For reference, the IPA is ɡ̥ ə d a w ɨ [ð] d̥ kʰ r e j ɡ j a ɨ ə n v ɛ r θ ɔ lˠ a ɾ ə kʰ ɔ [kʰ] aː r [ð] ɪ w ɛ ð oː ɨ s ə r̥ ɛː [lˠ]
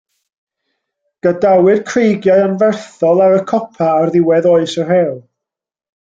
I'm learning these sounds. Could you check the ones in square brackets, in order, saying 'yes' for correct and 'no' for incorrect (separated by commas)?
no, no, yes, yes